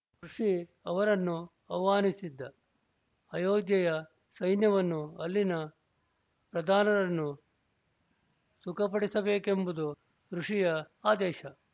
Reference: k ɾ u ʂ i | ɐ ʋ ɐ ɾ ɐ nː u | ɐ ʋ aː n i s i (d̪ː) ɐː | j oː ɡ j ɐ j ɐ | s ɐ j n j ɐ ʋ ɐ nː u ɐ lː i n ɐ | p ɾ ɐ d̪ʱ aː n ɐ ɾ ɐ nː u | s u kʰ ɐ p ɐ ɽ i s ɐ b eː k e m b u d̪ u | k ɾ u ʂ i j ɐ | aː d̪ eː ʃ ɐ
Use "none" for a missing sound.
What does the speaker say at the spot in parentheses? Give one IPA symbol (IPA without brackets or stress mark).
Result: d̪ː